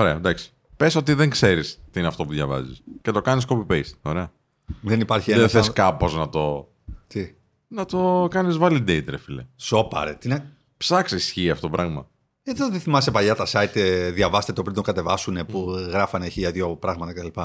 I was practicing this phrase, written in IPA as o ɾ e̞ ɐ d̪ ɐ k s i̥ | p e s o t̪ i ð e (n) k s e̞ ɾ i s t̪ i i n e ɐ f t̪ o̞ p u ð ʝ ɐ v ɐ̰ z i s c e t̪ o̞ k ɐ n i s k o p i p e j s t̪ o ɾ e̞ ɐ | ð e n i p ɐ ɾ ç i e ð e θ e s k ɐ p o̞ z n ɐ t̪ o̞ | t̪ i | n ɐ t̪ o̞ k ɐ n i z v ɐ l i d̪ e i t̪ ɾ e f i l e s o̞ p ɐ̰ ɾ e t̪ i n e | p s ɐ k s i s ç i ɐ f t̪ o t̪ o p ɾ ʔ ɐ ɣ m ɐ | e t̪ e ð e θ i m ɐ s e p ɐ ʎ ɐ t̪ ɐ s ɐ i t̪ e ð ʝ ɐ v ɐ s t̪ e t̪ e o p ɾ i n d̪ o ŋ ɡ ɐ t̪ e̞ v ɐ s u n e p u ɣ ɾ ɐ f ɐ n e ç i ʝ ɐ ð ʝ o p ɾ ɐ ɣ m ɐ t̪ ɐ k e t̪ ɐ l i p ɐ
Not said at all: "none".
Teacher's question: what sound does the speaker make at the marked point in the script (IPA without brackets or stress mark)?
ŋ